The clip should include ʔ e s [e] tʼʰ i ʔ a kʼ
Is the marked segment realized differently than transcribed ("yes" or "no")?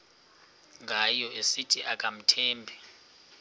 yes